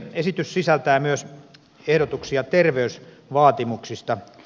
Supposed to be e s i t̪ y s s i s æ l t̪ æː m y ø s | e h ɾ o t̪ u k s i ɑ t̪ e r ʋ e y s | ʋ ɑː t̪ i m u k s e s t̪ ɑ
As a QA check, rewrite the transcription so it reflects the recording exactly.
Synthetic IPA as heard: e s i t̪ y s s i s æ l t̪ æː m y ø s | e h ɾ o t̪ u k s i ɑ t̪ e r ʋ e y s | ʋ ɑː t̪ i m u k s i s t̪ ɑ